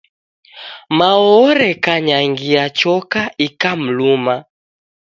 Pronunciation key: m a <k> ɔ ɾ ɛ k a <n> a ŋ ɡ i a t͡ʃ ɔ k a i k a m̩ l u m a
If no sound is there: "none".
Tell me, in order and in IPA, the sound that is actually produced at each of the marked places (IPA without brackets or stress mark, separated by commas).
none, ɲ